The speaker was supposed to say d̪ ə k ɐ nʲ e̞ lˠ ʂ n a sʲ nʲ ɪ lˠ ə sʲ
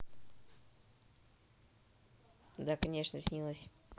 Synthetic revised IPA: d̪ a k ɐ nʲ e̞ ʂ n ə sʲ nʲ i lˠ ə sʲ